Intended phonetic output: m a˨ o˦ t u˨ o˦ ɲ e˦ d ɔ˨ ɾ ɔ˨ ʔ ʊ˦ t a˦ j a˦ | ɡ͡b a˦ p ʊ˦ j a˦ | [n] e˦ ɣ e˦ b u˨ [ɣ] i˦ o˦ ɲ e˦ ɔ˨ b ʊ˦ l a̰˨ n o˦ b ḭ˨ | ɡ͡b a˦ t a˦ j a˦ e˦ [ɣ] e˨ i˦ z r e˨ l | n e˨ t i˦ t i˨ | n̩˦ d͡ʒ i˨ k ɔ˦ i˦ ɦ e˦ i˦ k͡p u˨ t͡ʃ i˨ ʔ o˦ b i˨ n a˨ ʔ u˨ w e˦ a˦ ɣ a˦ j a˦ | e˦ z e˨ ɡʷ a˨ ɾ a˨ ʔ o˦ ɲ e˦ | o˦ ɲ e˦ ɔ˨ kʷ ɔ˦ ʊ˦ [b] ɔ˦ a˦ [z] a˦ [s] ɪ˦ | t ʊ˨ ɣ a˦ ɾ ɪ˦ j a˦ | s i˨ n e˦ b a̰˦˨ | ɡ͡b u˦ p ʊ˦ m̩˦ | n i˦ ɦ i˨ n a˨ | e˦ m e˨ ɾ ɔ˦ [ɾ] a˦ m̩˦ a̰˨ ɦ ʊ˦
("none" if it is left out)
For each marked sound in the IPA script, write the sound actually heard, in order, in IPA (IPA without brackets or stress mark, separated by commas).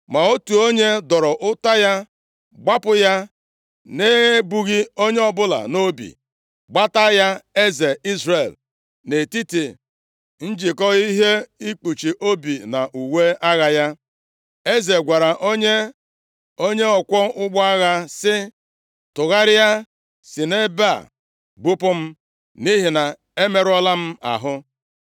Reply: n, ɣ, z, ɡ͡b, ɣ, s, l